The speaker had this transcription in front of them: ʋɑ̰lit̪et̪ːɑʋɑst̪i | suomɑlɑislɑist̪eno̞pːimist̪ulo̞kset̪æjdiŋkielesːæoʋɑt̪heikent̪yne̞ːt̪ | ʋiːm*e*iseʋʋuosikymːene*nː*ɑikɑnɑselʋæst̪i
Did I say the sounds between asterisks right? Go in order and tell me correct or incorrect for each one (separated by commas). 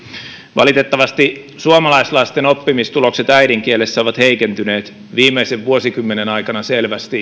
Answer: correct, incorrect